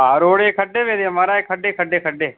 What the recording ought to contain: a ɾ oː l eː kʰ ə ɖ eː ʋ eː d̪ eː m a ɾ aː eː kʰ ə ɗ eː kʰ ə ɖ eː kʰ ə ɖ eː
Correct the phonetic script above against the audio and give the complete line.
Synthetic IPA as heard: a ɾ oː ɽ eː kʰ ə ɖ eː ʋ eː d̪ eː m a ɾ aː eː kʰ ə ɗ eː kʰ ə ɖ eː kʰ ə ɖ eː